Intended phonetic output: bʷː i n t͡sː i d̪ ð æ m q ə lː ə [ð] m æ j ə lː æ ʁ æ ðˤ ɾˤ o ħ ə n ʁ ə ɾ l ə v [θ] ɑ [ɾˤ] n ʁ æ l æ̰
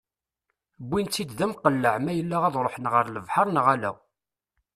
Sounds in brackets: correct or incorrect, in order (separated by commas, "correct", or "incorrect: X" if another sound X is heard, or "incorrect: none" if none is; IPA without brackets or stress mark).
incorrect: ʕ, incorrect: ħ, correct